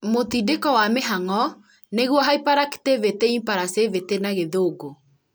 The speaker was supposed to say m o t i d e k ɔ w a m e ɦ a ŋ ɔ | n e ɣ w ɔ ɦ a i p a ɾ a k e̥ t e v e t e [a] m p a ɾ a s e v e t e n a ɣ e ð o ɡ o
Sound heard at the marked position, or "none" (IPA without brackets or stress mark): i